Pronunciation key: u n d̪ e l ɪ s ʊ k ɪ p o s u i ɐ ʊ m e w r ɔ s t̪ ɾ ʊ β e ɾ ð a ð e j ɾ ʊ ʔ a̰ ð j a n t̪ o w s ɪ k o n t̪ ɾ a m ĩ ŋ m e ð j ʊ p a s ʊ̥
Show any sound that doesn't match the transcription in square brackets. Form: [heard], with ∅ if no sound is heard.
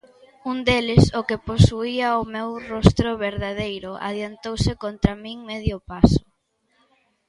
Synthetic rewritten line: u n d̪ e l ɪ s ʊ k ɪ p o s u i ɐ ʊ m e w r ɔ s t̪ ɾ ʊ β e ɾ ð a ð e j ɾ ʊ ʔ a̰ ð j a n t̪ o w s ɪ k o n t̪ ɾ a m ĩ ŋ m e ð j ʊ p a s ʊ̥

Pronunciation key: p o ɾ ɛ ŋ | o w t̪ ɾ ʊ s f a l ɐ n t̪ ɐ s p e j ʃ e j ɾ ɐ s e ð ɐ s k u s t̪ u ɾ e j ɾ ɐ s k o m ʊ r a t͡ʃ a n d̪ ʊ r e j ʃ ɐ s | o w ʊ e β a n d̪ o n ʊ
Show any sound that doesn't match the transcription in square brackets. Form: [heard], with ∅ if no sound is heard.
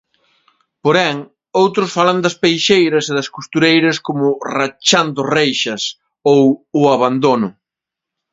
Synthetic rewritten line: p o ɾ ɛ ŋ | o w t̪ ɾ ʊ s f a l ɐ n [d̪] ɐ s p e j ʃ e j ɾ ɐ s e ð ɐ s k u s t̪ u ɾ e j ɾ ɐ s k o m ʊ r a t͡ʃ a n d̪ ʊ r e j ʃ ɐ s | o w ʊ [a] β a n d̪ o n ʊ

